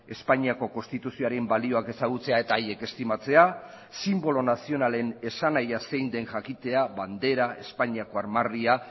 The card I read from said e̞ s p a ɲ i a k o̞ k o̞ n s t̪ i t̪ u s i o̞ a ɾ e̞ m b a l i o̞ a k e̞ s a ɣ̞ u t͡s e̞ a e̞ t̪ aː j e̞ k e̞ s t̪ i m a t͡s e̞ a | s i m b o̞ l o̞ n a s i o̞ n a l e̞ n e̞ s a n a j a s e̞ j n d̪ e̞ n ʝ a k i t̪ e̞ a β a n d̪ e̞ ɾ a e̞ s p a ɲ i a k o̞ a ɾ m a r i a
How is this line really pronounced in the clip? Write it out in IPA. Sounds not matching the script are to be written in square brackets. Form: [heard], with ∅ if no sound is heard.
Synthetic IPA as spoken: e̞ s p a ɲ i a k o̞ k o̞ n s t̪ i t̪ u s i o̞ a ɾ e̞ m b a l i o̞ a k e̞ s a ɣ̞ u t͡s e̞ a e̞ t̪ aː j e̞ k e̞ s t̪ i m a t͡s e̞ a | s i m b o̞ l o̞ n a s i o̞ n a l e̞ n e̞ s a n a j a s e̞ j n d̪ e̞ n ʝ a k i t̪ e̞ a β a n d̪ e̞ ɾ a e̞ s p a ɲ i a k o̞ a ɾ m a r i a

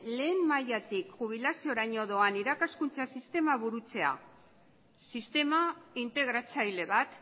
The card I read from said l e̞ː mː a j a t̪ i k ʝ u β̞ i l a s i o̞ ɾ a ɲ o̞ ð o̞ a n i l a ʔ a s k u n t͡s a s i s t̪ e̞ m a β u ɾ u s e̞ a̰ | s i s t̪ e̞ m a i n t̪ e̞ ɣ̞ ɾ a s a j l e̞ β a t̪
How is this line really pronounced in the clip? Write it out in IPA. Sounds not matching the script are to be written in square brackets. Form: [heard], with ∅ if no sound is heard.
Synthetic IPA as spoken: l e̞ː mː a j a t̪ i k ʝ u β̞ i l a s i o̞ ɾ a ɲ o̞ ð o̞ a n i [ɾ] a [k] a s k u n t͡s a s i s t̪ e̞ m a β u ɾ u [t͡s] e̞ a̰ | s i s t̪ e̞ m a i n t̪ e̞ ɣ̞ ɾ a [t͡s] a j l e̞ β a t̪

